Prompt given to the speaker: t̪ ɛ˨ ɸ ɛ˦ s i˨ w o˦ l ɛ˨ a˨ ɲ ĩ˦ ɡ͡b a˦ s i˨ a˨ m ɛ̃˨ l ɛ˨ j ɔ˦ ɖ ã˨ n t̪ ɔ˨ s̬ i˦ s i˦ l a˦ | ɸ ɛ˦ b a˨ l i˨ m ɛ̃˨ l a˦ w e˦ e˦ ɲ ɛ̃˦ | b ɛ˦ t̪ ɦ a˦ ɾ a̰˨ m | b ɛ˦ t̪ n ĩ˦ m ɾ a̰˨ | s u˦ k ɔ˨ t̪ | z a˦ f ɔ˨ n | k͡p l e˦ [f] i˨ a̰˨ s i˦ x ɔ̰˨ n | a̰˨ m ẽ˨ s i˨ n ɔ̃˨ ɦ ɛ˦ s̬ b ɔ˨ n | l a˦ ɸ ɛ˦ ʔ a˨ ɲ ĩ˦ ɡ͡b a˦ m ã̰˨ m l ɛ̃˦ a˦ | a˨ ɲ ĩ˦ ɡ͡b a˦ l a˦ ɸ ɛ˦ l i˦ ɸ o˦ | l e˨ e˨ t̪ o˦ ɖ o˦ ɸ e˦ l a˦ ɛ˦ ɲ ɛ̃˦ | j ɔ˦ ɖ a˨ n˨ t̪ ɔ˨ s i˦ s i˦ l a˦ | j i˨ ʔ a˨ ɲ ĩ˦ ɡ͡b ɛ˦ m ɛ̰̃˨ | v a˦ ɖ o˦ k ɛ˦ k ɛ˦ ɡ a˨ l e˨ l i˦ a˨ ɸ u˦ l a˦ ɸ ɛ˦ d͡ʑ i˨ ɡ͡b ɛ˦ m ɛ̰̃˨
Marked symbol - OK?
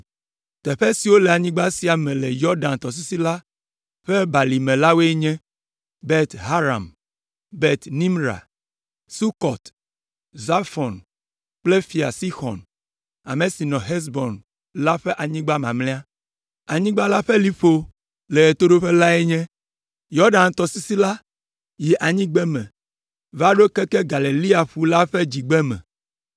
yes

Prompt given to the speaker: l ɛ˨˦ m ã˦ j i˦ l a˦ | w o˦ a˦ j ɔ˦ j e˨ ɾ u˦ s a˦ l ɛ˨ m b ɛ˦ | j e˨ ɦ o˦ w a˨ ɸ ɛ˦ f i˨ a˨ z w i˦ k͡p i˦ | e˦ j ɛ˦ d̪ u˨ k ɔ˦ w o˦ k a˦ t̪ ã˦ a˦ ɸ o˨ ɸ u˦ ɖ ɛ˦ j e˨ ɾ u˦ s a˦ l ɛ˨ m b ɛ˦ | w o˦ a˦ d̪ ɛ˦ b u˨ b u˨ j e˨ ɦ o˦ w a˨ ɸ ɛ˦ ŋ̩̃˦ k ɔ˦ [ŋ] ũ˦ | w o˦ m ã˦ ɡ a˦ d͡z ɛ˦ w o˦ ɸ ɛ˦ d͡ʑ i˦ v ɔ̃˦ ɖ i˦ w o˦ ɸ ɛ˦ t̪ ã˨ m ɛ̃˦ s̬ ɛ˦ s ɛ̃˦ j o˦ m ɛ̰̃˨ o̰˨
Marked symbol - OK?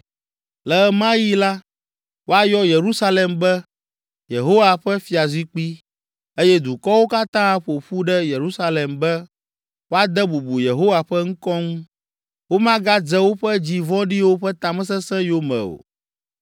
yes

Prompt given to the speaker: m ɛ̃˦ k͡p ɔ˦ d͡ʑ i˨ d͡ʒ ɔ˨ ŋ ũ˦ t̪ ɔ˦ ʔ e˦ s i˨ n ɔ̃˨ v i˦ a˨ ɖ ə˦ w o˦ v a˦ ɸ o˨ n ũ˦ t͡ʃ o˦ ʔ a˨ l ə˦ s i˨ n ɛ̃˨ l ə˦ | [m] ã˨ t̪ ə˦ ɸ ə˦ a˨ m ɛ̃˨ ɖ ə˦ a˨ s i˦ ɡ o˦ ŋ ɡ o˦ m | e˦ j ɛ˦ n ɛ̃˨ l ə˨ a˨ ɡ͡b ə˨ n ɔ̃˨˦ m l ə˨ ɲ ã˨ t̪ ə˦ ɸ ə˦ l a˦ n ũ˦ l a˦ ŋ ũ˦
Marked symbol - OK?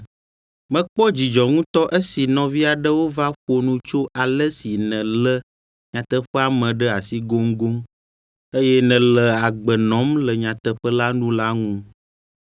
no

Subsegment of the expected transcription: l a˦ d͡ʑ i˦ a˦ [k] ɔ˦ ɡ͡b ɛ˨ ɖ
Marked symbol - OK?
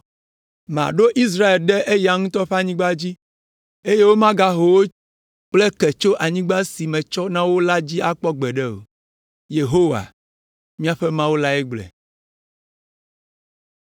no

